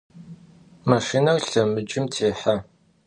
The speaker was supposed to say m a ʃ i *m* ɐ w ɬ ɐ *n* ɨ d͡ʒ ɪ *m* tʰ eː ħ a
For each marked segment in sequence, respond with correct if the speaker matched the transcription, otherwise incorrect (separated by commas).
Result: incorrect, incorrect, correct